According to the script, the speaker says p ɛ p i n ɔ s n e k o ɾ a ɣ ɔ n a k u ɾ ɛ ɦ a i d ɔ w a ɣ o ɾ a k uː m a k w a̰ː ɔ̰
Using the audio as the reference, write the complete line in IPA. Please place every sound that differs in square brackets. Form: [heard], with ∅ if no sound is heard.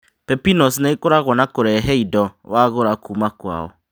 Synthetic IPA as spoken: p ɛ p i n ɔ s n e k o ɾ a ɣ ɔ n a k [o] ɾ ɛ ɦ [ɛ] i d ɔ w a ɣ o ɾ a k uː m a k w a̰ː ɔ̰